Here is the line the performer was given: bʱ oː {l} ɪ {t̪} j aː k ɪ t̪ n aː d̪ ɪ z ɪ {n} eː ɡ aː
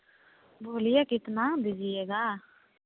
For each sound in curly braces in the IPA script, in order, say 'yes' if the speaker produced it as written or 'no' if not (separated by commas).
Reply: yes, no, no